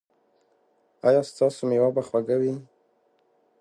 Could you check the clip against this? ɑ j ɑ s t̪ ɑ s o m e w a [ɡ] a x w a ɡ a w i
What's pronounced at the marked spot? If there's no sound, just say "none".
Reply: b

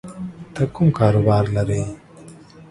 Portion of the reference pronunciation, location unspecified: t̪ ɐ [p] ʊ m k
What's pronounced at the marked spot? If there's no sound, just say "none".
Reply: k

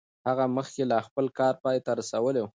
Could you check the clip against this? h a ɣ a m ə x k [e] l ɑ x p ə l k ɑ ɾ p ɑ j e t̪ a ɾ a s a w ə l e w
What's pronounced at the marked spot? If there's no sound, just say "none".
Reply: e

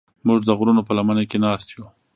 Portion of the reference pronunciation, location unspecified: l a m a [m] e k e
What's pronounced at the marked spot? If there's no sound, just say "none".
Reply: n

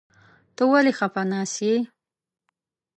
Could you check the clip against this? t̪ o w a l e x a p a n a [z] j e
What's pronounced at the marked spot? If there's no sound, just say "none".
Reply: s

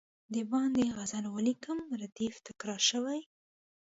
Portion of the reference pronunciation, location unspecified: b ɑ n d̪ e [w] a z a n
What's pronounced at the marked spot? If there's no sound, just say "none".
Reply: ɣ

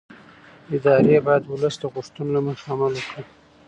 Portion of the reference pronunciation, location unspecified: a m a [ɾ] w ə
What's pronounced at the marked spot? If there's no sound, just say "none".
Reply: l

